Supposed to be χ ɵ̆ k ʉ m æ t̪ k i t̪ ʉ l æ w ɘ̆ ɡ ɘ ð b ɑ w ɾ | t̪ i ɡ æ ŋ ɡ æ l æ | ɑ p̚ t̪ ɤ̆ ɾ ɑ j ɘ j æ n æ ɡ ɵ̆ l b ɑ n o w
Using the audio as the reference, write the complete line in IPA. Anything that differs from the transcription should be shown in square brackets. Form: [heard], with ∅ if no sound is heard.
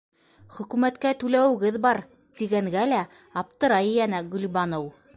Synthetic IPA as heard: χ ɵ̆ k ʉ m æ t̪ k [æ] t̪ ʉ l æ w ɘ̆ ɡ ɘ ð b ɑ [∅] ɾ | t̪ i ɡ æ ŋ ɡ æ l æ | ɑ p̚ t̪ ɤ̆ ɾ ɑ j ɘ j æ n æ ɡ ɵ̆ l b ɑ n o w

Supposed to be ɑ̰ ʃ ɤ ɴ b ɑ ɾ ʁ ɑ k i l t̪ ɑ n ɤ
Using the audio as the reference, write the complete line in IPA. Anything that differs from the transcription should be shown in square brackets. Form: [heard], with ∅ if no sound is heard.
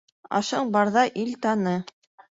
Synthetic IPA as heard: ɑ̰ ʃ ɤ ɴ b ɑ ɾ [ð] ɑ [ʔ] i l t̪ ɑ n ɤ

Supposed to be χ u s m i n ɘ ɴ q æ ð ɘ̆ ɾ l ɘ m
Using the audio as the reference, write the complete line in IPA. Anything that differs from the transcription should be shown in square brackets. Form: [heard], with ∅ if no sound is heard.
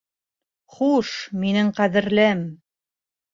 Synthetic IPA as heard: χ u [ʃ] m i n ɘ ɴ q æ ð ɘ̆ ɾ l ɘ m

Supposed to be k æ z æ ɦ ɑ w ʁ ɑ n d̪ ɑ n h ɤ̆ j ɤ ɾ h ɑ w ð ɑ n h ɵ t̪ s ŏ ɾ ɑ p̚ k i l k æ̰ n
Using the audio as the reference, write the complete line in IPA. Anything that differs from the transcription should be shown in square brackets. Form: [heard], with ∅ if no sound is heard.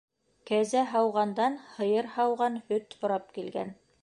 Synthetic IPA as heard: k æ z æ ɦ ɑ w ʁ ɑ n d̪ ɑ n h ɤ̆ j ɤ ɾ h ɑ w [ʁ] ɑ n h ɵ t̪ [h] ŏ ɾ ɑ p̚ k i l [ɡ] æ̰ n

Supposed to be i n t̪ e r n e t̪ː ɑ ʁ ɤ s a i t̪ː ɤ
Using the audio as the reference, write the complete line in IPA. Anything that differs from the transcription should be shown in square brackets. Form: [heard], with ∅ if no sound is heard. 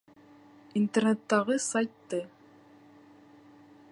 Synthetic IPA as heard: i n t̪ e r n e t̪ː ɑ ʁ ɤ s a [j] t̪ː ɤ

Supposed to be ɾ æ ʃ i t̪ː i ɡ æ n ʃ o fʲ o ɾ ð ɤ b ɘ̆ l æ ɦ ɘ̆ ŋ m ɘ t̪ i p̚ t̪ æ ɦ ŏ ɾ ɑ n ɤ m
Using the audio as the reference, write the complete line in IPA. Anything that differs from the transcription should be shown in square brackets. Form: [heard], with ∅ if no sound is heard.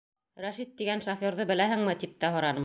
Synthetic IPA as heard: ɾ æ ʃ i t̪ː i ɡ æ n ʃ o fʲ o ɾ ð ɤ b ɘ̆ l æ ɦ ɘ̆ ŋ m ɘ t̪ i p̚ t̪ æ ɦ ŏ ɾ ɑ n ɤ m

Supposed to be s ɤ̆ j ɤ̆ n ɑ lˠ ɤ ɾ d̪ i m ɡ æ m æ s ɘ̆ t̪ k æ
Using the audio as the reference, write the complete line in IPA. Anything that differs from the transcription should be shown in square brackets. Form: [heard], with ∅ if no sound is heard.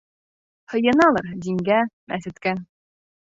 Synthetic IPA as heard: [h] ɤ̆ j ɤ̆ n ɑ lˠ ɤ ɾ d̪ i [ŋ] ɡ æ m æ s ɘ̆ t̪ k æ

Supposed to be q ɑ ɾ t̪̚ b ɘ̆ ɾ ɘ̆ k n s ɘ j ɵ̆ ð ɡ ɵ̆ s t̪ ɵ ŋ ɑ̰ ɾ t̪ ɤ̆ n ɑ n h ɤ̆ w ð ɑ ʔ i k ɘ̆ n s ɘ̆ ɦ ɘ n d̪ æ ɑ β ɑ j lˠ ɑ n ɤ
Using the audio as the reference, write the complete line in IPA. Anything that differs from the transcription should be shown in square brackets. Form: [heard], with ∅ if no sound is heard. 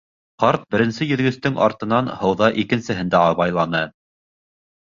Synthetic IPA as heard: q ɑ ɾ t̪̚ b ɘ̆ ɾ ɘ̆ [∅] n s ɘ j ɵ̆ ð ɡ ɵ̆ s t̪ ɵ ŋ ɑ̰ ɾ t̪ ɤ̆ n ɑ n h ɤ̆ w ð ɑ ʔ i k ɘ̆ n s ɘ̆ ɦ ɘ n d̪ æ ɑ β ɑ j lˠ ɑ n ɤ

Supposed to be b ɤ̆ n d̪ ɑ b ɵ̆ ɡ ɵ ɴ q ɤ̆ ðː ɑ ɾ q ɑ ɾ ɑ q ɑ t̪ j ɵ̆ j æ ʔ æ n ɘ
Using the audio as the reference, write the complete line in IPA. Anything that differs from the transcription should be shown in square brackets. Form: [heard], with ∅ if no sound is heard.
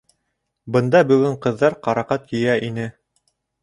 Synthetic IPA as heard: b ɤ̆ n d̪ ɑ b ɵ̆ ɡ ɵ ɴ q ɤ̆ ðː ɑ ɾ q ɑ ɾ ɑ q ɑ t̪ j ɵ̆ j æ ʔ [i] n ɘ

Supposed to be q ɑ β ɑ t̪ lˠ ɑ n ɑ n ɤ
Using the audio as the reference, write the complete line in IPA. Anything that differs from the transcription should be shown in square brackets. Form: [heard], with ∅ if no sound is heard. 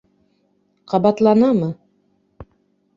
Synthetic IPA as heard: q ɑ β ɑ t̪ lˠ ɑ n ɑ [m] ɤ

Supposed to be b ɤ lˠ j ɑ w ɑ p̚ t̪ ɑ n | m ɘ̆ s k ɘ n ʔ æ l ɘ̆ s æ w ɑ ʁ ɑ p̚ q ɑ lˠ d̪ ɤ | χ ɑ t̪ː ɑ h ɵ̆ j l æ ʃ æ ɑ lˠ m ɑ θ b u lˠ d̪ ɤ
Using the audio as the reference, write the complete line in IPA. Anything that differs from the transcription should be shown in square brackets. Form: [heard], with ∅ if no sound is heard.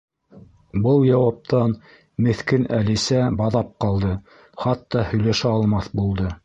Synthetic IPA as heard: b ɤ lˠ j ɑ w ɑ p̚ t̪ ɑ n | m ɘ̆ [θ] k ɘ n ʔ æ l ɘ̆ s æ [b] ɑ [ð] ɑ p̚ q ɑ lˠ d̪ ɤ | χ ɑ t̪ː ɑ h ɵ̆ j l æ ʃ æ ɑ lˠ m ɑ θ b u lˠ d̪ ɤ

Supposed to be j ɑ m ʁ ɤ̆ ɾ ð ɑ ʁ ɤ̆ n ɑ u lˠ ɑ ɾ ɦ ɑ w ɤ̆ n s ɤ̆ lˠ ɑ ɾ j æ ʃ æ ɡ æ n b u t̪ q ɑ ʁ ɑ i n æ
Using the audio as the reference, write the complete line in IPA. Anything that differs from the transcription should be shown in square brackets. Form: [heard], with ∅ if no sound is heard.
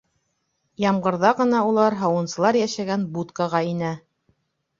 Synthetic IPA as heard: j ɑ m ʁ ɤ̆ ɾ ð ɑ ʁ ɤ̆ n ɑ u lˠ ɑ ɾ ɦ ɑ w ɤ̆ n s ɤ̆ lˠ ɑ ɾ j æ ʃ æ ɡ æ n b u t̪ [k] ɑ ʁ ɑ i n æ

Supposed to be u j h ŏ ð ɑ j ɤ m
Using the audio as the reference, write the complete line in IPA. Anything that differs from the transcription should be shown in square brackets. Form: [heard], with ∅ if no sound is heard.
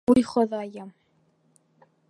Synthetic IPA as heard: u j [χ] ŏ ð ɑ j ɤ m

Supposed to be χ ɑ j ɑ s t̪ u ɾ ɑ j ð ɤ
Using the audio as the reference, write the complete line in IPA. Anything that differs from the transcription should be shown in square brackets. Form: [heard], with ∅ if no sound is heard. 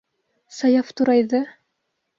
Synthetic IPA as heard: [s] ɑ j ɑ [f] t̪ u ɾ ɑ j ð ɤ

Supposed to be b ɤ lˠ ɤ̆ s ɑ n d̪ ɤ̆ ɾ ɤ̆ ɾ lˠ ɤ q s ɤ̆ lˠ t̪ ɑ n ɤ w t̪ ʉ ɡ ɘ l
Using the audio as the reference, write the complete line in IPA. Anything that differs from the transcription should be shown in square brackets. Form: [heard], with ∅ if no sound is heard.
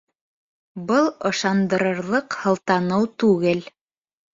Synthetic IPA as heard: b ɤ lˠ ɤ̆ [ʃ] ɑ n d̪ ɤ̆ ɾ ɤ̆ ɾ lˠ ɤ q [h] ɤ̆ lˠ t̪ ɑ n ɤ w t̪ ʉ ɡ ɘ l

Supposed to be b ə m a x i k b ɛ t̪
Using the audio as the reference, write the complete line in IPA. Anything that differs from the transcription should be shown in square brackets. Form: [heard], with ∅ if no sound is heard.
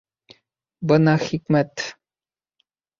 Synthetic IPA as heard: b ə [n] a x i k [m] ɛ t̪

